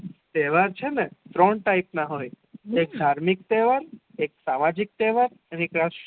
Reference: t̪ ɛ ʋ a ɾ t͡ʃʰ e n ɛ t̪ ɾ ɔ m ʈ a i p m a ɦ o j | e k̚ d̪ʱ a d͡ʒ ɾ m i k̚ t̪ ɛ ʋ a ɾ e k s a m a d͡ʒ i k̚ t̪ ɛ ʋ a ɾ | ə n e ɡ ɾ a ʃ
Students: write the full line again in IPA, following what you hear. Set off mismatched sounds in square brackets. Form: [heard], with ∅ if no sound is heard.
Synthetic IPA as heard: t̪ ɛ ʋ a ɾ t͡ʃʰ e n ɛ t̪ ɾ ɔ [ɳ] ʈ a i p [n] a ɦ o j | e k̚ d̪ʱ a [∅] ɾ m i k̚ t̪ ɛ ʋ a ɾ e k s a m a d͡ʒ i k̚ t̪ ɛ ʋ a ɾ | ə n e [k] ɾ a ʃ